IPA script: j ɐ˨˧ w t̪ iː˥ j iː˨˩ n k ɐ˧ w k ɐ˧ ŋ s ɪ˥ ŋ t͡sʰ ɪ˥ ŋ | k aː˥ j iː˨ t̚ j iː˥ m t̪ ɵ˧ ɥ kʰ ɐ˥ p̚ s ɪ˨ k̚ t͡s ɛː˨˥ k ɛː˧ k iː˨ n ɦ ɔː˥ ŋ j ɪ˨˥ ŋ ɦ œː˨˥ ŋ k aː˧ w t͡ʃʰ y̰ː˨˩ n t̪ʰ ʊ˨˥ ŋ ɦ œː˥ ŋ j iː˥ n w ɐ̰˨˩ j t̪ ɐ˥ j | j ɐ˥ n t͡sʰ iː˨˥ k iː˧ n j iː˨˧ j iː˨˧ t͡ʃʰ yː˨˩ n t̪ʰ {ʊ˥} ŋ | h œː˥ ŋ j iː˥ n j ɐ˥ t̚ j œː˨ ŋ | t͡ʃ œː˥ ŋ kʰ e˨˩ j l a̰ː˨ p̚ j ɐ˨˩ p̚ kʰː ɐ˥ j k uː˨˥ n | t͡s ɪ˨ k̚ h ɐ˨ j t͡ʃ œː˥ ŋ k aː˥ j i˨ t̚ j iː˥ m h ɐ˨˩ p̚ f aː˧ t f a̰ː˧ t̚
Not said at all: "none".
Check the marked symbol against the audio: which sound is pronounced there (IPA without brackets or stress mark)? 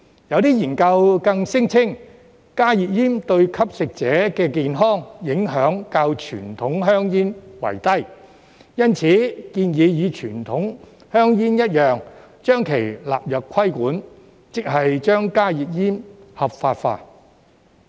ʊ˨˥